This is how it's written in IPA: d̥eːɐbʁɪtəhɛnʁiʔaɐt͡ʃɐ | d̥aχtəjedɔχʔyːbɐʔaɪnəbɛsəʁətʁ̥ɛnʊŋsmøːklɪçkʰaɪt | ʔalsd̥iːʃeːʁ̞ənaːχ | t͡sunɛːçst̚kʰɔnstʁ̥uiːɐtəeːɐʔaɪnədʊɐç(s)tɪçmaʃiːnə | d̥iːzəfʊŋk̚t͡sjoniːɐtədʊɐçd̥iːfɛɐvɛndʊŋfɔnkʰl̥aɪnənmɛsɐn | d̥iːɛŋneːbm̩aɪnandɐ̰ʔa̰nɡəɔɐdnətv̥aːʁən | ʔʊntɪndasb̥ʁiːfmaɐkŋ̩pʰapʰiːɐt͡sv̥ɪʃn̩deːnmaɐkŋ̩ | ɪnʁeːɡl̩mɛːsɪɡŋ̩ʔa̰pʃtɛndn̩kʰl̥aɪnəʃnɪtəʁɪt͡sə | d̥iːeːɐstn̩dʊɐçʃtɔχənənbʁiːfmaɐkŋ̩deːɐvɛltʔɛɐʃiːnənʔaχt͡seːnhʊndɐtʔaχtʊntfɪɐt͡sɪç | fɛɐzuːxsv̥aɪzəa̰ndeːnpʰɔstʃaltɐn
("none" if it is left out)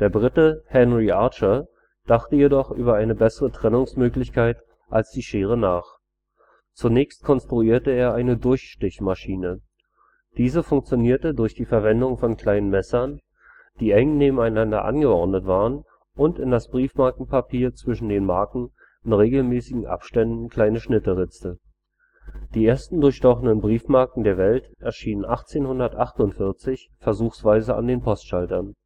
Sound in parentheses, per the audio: ʃ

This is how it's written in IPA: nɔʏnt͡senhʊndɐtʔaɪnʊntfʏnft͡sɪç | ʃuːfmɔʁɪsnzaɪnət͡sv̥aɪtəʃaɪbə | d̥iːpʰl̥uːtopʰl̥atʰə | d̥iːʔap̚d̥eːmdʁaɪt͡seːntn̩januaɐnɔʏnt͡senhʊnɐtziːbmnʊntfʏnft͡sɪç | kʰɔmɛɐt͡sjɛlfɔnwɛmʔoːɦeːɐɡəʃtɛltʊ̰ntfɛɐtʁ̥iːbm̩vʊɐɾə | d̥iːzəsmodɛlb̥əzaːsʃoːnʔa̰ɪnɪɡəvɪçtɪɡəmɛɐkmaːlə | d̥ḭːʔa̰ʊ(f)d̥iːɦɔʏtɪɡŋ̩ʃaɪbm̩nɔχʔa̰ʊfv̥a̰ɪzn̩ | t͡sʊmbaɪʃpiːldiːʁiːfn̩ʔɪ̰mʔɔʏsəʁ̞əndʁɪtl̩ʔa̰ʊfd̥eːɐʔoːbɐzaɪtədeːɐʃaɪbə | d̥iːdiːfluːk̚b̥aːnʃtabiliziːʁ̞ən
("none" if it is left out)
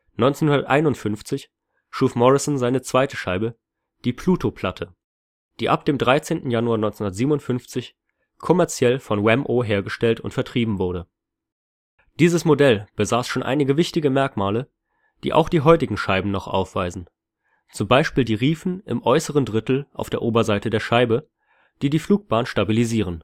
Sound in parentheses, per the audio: x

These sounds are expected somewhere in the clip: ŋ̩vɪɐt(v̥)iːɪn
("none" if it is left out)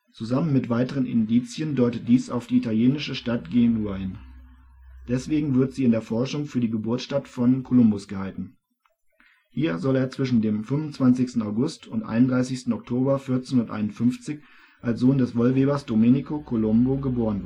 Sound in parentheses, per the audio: z̥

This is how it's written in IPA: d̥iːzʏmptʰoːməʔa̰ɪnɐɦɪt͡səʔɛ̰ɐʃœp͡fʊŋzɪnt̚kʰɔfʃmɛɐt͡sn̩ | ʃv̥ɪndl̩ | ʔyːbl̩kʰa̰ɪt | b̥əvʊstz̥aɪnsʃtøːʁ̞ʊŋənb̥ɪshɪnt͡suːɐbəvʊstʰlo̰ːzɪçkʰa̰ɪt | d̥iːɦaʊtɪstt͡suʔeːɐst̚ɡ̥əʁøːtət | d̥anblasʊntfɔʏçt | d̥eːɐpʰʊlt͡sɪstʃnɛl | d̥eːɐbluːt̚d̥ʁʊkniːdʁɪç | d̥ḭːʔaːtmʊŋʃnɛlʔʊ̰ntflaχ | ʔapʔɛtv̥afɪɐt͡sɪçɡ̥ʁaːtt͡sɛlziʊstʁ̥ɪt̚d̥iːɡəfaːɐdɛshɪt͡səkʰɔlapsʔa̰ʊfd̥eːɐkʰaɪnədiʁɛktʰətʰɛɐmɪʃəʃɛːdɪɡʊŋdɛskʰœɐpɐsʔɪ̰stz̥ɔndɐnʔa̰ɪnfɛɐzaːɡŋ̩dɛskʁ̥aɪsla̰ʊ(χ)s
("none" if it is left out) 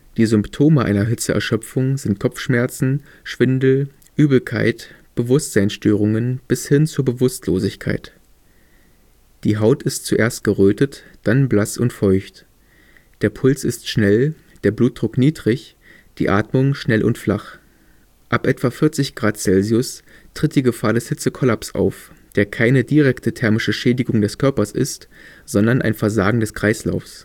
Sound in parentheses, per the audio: f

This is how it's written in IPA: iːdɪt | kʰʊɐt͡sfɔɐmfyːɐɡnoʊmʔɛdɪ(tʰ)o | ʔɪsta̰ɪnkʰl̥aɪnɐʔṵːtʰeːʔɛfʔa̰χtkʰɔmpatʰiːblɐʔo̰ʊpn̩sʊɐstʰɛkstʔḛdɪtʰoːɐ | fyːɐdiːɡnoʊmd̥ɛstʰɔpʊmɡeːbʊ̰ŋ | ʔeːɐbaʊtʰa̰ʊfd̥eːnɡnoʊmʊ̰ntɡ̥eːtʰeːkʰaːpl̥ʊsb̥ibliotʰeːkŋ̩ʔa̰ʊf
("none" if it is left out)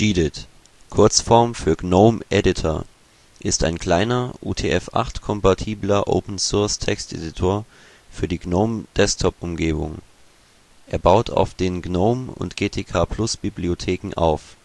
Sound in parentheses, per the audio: tʰ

